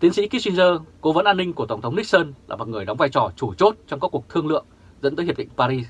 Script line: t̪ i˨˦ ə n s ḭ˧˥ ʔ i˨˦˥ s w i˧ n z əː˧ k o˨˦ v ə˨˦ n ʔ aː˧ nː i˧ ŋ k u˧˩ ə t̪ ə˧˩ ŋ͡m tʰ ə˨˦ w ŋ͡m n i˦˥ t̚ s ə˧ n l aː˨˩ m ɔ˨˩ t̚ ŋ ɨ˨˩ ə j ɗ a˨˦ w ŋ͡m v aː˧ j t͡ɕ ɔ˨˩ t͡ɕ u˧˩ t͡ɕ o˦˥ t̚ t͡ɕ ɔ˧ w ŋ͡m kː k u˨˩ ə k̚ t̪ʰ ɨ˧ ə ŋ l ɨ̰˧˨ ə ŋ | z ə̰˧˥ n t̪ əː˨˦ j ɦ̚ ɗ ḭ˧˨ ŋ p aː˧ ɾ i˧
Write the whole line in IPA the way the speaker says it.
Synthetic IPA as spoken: t̪ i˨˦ ə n s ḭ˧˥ k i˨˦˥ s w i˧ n z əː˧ k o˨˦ v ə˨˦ n ʔ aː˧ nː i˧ ŋ k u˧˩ ə t̪ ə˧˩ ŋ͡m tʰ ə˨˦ w ŋ͡m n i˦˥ k̚ s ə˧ n l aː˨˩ m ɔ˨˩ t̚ ŋ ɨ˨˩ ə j ɗ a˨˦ w ŋ͡m v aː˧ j t͡ɕ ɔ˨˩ t͡ɕ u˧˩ t͡ɕ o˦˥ t̚ t͡ɕ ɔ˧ w ŋ͡m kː k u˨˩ ə k̚ t̪ʰ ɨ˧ ə ŋ l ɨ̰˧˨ ə ŋ | z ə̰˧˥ n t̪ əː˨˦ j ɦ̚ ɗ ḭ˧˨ ŋ p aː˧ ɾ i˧